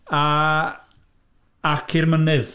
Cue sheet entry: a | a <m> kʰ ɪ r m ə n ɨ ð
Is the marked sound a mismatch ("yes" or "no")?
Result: yes